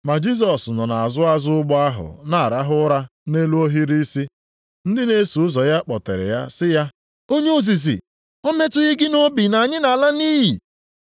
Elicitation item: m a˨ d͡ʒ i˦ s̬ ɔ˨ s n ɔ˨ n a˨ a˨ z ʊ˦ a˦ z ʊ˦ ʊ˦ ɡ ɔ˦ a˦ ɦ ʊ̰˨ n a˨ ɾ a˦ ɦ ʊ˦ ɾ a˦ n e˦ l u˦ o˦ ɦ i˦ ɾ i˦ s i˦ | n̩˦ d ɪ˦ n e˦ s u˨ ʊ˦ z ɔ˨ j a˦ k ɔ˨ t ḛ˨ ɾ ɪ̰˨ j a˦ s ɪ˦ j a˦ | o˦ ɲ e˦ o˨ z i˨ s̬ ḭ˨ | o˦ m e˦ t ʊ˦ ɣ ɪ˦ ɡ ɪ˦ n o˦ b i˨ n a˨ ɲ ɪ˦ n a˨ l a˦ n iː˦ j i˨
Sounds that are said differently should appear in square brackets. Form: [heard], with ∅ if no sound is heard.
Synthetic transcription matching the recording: m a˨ d͡ʒ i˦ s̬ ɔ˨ s n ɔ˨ n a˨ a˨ z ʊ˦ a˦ z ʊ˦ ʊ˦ [ɡ͡b] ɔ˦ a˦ ɦ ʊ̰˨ n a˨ ɾ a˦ ɦ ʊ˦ ɾ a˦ n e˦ l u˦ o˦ ɦ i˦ ɾ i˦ s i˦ | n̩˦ d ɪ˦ n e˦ s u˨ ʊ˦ z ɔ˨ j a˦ [k͡p] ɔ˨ t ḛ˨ ɾ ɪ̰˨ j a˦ s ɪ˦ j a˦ | o˦ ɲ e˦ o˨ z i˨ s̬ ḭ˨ | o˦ m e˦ t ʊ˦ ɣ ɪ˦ ɡ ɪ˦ n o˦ b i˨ n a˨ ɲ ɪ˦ n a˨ l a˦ n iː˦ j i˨